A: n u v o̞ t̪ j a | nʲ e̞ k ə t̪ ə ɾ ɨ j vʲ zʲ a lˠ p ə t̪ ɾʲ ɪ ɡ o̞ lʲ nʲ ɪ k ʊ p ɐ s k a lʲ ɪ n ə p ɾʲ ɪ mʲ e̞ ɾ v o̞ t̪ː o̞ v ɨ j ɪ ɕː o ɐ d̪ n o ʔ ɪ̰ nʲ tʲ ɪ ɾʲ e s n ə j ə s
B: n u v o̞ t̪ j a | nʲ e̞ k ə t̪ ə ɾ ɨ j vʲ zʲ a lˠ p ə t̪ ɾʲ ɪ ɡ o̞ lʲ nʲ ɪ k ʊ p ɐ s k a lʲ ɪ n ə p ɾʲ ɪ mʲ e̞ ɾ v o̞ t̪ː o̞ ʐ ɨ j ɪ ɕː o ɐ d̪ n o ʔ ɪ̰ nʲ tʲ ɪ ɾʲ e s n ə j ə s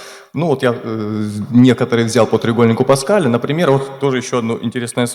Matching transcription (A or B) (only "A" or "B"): B